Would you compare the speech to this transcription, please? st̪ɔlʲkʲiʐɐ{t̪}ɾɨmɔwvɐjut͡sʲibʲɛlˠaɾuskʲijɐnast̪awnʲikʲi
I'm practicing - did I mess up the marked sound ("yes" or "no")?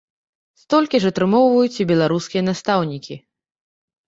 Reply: no